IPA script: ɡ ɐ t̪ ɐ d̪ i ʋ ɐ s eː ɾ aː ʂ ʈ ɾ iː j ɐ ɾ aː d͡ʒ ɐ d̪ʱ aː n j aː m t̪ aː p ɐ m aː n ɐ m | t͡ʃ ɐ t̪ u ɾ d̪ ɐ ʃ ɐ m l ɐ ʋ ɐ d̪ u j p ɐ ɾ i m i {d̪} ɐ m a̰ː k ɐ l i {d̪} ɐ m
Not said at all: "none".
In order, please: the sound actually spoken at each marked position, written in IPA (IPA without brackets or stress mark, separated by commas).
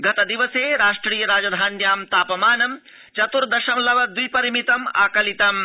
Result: t̪, t̪